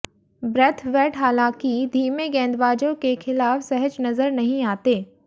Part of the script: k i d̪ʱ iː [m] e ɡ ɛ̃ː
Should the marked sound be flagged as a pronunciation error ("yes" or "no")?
no